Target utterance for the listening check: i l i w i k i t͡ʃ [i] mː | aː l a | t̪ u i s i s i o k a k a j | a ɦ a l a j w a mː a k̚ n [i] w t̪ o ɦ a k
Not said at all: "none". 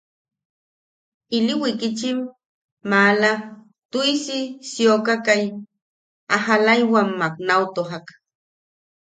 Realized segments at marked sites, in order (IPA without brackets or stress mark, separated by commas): i, a